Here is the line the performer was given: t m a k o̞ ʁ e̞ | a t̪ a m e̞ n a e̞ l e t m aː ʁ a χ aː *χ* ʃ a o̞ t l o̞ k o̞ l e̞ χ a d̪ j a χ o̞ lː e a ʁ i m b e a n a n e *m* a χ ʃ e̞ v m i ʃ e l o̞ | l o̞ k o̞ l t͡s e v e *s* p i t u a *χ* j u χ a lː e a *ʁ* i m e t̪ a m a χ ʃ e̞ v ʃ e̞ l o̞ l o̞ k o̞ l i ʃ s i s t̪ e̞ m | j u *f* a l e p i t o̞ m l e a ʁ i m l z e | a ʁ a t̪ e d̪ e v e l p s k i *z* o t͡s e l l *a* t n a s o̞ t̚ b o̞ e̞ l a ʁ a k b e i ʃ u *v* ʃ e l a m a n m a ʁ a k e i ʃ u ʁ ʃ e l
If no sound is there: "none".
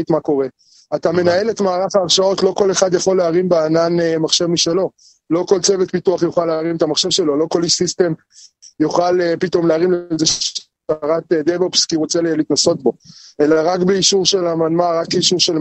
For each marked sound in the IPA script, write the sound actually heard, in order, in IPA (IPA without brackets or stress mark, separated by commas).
ʁ, m, t, χ, ʁ, χ, ʁ, i, ʁ